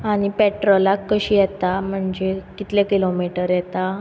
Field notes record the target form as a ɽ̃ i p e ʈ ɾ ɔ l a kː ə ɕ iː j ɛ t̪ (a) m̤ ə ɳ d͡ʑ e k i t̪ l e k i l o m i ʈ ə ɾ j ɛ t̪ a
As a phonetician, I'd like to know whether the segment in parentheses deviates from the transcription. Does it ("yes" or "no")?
no